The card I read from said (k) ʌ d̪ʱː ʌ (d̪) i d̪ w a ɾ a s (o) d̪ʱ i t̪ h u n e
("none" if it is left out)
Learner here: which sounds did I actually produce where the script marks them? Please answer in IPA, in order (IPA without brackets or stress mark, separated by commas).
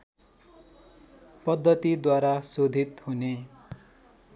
p, t̪, o